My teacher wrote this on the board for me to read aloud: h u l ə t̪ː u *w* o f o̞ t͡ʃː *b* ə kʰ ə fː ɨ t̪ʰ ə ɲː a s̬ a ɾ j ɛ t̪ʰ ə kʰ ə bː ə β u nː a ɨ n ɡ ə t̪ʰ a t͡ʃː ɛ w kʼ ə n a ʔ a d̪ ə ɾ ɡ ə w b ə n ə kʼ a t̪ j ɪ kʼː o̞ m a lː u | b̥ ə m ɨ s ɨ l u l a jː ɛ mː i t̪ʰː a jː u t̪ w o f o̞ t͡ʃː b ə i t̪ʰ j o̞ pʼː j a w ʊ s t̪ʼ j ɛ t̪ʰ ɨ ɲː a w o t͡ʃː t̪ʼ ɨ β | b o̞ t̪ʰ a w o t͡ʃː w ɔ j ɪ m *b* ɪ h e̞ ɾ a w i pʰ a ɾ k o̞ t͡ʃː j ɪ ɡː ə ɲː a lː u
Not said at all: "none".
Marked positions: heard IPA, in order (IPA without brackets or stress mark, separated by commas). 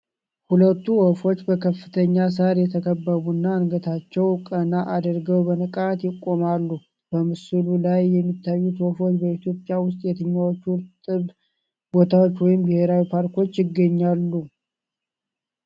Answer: w, b, b